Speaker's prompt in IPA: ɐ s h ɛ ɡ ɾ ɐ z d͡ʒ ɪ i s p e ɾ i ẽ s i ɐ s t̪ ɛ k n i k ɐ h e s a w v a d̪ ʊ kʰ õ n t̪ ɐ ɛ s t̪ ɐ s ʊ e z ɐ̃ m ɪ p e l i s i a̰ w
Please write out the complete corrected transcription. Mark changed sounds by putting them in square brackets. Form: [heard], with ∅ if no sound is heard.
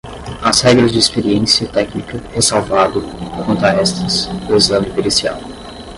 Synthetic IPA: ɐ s h ɛ ɡ ɾ ɐ z d͡ʒ ɪ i s p e ɾ i ẽ s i ɐ [∅] t̪ ɛ k n i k ɐ h e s a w v a d̪ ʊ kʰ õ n t̪ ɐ ɛ s t̪ ɐ s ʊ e z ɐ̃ m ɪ p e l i s i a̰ w

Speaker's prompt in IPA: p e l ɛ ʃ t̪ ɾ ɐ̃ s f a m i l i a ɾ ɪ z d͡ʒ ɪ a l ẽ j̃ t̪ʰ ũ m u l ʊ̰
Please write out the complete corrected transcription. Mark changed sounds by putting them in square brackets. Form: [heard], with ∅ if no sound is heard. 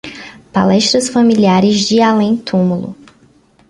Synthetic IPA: p [a] l ɛ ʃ t̪ ɾ [ɐ] s f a m i l i a ɾ ɪ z d͡ʒ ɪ a l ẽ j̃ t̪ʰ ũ m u l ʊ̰

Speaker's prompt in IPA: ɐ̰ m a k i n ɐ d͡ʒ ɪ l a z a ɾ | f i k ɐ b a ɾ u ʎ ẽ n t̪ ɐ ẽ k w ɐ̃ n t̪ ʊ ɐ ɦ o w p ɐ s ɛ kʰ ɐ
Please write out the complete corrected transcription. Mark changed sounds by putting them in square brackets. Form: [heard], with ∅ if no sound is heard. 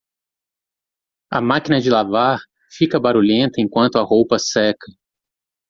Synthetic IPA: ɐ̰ m a k i n ɐ d͡ʒ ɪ l a [v] a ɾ | f i k ɐ b a ɾ u ʎ ẽ n t̪ ɐ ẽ k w ɐ̃ n t̪ ʊ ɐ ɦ o w p ɐ s ɛ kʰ ɐ

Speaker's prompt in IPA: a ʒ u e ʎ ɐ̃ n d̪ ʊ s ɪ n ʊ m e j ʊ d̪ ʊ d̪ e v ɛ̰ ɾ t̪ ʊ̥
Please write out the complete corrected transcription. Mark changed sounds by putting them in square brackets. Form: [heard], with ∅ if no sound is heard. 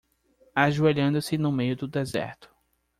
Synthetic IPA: a ʒ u e ʎ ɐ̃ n d̪ ʊ s ɪ n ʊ m e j ʊ d̪ ʊ d̪ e [z] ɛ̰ ɾ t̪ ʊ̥

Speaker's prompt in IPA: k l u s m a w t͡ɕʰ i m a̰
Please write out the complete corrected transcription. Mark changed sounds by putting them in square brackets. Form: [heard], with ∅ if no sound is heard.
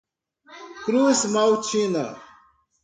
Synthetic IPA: k [ɾ] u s m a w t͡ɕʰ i [n] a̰

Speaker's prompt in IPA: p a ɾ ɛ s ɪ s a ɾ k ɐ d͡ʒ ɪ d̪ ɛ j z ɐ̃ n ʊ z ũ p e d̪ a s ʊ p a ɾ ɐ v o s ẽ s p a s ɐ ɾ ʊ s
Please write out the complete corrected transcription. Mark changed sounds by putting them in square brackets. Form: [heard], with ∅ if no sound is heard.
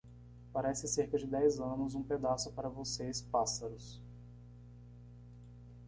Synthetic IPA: p a ɾ ɛ s ɪ s [e] ɾ k ɐ d͡ʒ ɪ d̪ ɛ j z ɐ̃ n ʊ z ũ p e d̪ a s ʊ p a ɾ ɐ v o s [e] s p a s ɐ ɾ ʊ s

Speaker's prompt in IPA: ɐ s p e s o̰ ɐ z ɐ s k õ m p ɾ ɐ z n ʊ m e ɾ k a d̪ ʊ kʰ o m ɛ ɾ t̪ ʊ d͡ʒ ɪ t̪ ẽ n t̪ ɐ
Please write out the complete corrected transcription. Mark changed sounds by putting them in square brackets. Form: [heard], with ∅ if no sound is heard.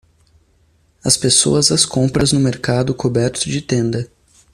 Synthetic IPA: ɐ s p e s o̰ ɐ z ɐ s k õ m p ɾ ɐ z n ʊ m e ɾ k a d̪ ʊ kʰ o [b] ɛ ɾ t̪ ʊ d͡ʒ ɪ t̪ ẽ n [d̪] ɐ

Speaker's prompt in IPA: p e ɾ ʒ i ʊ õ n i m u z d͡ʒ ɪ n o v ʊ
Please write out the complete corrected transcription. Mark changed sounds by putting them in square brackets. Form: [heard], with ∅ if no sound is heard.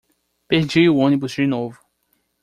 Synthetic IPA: p e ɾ [d͡ʒ] i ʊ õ n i [b] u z d͡ʒ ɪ n o v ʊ

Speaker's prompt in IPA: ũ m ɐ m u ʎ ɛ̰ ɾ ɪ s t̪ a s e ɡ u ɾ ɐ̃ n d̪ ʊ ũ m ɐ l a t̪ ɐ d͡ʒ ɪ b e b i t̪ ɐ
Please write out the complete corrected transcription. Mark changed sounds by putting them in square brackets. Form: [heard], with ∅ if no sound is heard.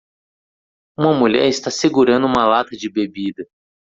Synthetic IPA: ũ m ɐ m u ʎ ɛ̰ ɾ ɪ s t̪ a s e ɡ u ɾ ɐ̃ n d̪ ʊ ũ m ɐ l a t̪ ɐ d͡ʒ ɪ b e b i [d̪] ɐ

